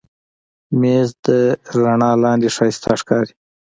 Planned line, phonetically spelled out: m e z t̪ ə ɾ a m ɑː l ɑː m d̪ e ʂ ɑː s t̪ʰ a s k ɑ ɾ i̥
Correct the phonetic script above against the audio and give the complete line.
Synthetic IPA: m e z d̪ ə ɾ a ɳ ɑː l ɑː n d̪ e ʂ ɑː s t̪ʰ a ʂ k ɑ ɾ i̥